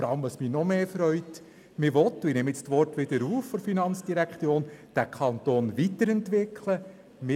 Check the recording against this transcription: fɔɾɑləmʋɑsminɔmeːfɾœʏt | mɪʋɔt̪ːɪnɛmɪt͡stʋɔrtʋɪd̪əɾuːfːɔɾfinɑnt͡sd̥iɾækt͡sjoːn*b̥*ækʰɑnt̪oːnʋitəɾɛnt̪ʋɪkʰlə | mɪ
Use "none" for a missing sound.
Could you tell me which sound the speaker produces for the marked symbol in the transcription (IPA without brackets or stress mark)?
d̥